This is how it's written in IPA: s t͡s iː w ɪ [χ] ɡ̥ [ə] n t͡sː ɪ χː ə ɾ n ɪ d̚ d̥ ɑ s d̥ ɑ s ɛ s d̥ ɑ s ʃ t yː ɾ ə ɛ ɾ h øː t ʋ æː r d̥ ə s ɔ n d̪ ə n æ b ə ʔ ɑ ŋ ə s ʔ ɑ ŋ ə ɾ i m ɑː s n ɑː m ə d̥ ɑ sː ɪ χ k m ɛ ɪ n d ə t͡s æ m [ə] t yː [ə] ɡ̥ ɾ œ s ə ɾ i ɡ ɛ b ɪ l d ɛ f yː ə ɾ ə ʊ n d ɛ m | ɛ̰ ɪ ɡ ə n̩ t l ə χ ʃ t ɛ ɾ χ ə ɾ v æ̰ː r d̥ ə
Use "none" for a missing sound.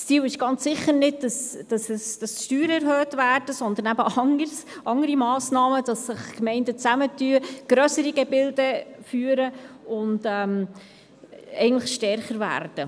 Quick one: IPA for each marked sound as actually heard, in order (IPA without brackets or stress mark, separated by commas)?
ʃ, ɑ, ə, ə